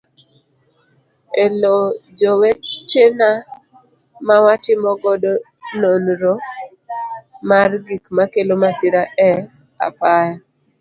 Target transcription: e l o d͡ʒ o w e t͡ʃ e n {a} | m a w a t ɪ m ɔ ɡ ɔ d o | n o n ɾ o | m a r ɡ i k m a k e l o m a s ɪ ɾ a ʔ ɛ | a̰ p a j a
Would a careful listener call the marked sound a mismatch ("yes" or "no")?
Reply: no